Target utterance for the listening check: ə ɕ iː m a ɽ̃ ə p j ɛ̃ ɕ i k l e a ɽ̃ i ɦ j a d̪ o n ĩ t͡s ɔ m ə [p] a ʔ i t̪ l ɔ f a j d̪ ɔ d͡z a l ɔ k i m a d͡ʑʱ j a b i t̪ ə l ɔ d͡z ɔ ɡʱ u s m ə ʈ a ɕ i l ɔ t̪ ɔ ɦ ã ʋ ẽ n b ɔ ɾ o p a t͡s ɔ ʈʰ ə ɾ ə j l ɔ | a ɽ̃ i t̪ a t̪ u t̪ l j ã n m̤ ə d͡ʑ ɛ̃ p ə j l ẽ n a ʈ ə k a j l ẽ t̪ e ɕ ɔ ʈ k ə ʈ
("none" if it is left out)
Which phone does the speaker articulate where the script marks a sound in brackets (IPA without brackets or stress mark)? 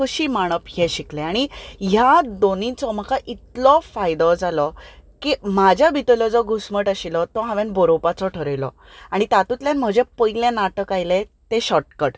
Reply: k